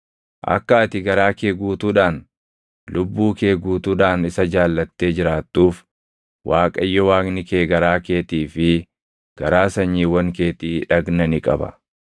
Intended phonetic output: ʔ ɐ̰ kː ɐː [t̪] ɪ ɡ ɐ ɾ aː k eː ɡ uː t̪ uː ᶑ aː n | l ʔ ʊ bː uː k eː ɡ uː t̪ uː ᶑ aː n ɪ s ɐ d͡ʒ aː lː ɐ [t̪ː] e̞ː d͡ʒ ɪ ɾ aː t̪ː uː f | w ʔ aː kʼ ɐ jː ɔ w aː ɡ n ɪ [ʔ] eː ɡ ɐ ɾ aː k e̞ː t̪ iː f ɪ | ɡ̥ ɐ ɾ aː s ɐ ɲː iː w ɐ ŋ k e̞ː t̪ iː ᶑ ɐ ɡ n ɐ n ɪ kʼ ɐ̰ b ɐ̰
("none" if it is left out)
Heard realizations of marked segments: t̪, t̪ː, k

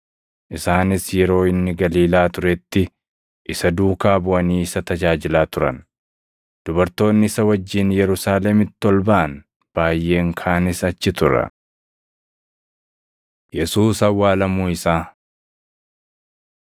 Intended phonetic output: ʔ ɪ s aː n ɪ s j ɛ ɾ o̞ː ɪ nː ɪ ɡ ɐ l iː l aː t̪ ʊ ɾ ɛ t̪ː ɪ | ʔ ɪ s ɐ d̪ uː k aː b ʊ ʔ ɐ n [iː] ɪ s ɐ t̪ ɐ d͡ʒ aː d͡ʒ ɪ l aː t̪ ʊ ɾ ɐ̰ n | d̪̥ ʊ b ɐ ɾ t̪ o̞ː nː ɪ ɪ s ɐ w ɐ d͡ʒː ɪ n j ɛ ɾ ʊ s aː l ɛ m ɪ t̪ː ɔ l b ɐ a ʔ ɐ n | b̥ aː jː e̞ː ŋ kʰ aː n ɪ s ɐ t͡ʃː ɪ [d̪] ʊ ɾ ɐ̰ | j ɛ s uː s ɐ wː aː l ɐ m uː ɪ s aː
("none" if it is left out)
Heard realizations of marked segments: iː, t̪

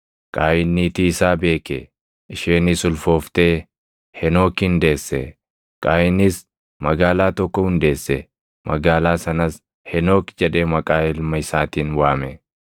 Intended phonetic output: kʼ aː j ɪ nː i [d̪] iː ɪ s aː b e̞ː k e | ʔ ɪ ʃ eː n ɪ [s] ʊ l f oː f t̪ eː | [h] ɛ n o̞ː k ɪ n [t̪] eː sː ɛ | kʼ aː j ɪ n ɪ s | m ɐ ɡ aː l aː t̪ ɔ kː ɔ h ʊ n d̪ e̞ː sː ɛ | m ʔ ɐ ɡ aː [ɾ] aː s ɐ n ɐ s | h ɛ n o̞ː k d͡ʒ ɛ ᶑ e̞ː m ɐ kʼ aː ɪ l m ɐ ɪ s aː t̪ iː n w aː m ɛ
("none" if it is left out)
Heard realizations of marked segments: t̪, s, h, d̪, l

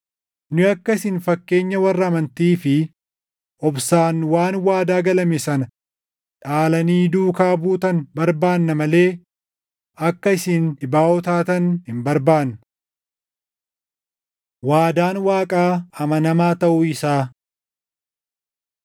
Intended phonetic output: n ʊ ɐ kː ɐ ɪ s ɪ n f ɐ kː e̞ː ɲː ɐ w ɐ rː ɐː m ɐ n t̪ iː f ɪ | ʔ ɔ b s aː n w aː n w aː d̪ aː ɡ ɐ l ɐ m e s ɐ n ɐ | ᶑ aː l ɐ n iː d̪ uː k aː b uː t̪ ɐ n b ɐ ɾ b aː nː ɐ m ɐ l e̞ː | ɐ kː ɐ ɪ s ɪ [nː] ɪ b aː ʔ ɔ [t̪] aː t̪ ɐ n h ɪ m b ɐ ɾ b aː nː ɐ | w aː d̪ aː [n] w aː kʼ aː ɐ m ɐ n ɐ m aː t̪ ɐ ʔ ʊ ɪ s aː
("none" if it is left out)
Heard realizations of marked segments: n, t̪, n

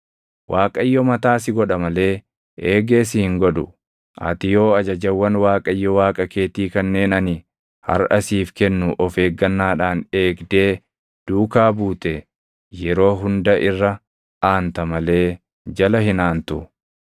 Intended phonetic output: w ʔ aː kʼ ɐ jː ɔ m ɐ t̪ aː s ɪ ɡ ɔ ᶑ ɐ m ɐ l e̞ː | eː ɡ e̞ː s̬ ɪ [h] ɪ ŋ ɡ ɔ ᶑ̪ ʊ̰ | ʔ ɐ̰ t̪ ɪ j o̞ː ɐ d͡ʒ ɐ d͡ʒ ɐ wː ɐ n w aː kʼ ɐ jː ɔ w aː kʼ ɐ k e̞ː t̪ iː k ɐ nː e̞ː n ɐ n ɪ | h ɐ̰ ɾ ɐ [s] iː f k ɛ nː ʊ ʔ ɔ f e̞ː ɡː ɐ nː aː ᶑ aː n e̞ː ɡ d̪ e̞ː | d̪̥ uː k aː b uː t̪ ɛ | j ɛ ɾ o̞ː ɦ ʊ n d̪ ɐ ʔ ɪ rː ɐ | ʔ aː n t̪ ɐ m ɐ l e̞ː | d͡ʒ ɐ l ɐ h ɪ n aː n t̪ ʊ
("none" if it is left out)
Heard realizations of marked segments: h, s

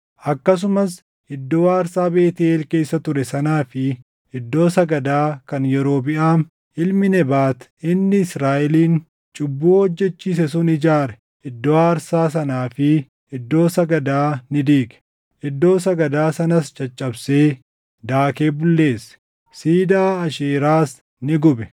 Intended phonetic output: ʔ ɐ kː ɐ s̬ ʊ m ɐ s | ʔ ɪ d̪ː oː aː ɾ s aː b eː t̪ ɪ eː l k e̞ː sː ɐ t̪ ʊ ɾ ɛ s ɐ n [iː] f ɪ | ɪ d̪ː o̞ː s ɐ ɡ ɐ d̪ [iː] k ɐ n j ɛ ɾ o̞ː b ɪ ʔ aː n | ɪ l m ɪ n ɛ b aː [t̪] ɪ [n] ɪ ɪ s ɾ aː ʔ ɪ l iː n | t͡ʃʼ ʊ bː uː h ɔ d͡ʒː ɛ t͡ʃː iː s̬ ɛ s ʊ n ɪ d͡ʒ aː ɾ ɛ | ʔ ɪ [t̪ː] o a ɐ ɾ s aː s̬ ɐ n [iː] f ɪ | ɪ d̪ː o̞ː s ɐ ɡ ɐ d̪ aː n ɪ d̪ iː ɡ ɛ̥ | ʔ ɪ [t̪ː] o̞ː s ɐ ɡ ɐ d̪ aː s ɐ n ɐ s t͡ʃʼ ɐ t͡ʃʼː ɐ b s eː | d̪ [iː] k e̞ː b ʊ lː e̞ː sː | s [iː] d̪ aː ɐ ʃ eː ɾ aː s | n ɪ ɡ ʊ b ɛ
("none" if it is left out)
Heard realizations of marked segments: aː, aː, t̪, nː, d̪ː, aː, d̪ː, aː, iː

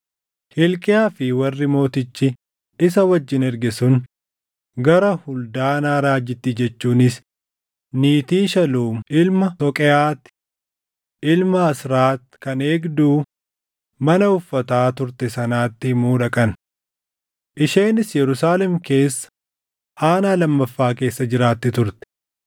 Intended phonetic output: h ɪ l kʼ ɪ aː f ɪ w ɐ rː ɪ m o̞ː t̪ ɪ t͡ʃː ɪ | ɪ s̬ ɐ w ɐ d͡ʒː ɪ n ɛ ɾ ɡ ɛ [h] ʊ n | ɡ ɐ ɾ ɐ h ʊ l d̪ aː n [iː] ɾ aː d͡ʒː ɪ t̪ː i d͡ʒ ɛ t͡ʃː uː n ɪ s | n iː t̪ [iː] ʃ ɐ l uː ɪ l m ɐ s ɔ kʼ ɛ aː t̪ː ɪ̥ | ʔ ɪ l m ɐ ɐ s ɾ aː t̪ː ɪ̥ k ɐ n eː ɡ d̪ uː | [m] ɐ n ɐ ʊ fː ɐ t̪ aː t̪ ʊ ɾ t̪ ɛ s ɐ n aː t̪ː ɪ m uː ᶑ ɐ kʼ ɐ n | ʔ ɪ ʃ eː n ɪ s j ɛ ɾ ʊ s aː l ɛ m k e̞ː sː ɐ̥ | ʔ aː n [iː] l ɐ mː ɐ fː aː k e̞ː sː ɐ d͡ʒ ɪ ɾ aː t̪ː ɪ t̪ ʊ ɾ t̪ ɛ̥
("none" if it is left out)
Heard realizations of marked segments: s, aː, iː, m, aː

